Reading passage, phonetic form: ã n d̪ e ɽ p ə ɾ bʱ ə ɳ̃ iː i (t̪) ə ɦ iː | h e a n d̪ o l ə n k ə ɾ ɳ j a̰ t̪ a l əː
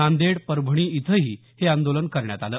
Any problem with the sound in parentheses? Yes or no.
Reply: yes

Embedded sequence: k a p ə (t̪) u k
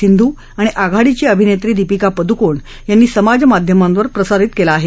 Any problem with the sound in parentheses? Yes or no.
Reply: yes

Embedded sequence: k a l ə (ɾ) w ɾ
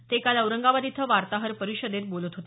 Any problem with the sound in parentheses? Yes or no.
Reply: yes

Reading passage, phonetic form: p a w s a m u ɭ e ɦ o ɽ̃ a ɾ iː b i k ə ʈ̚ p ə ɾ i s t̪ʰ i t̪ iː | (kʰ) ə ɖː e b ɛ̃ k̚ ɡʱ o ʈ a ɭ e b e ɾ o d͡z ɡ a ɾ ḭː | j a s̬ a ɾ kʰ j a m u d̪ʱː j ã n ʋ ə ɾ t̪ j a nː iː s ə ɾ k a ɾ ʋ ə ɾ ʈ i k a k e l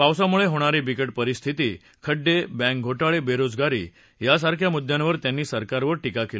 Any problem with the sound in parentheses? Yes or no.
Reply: no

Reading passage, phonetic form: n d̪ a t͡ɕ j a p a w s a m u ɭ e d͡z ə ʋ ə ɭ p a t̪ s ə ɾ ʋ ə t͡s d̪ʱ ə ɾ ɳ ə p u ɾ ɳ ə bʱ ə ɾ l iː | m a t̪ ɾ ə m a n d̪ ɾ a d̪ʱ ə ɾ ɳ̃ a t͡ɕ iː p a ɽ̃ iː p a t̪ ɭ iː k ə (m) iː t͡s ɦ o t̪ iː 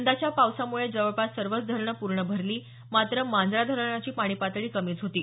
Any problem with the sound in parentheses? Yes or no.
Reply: no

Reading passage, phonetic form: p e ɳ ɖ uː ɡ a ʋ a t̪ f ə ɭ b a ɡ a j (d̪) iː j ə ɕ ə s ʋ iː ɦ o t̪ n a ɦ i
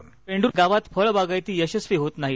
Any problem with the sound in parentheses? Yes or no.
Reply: yes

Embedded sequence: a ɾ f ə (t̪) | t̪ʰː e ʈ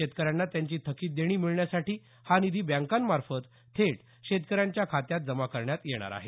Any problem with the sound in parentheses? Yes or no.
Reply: no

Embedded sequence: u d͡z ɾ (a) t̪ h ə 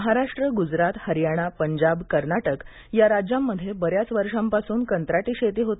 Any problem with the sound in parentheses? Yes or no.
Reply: no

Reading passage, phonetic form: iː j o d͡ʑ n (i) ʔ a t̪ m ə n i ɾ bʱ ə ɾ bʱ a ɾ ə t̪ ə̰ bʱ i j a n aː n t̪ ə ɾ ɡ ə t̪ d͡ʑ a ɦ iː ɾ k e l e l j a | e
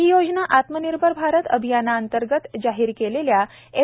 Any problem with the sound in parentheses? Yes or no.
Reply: yes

